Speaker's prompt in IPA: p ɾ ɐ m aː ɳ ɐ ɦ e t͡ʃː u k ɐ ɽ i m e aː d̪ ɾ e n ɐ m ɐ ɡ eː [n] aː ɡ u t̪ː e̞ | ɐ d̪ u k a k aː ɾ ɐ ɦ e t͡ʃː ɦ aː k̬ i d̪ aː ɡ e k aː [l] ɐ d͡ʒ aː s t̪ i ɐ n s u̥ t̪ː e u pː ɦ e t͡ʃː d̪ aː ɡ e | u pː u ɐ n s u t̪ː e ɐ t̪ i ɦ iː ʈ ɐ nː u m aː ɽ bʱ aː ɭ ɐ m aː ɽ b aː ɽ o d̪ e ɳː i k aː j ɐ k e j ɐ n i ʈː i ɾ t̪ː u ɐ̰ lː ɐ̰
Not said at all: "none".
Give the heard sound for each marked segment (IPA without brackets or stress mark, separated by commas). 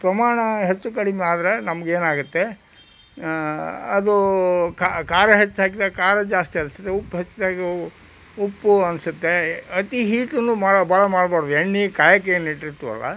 n, ɾ